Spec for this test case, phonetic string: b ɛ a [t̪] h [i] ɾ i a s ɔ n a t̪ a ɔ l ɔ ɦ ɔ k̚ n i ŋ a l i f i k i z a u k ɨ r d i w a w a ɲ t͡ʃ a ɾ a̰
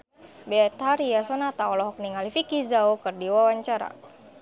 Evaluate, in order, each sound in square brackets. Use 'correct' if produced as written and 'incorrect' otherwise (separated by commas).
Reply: correct, incorrect